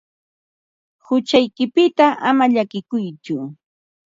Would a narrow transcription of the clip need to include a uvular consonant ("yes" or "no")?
no